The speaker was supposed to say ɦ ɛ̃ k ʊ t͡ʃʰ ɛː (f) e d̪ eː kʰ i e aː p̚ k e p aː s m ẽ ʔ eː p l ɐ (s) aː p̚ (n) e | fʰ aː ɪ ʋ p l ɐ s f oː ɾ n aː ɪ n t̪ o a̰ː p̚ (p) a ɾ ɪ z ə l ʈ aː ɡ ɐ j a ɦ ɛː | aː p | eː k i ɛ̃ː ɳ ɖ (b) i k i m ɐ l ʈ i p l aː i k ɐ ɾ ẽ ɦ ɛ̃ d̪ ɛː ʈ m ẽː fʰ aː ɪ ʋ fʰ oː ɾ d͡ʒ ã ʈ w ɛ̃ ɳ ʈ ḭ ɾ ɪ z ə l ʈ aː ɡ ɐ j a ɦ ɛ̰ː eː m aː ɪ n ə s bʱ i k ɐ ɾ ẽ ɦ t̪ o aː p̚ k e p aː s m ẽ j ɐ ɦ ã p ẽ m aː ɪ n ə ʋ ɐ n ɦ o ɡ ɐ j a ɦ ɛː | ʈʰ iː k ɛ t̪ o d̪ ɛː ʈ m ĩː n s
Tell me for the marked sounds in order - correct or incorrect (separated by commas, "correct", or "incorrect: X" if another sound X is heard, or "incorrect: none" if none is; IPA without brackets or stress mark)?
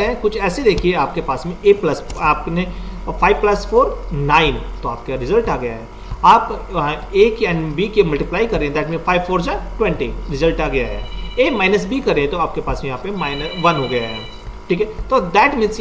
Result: incorrect: s, correct, correct, incorrect: k, correct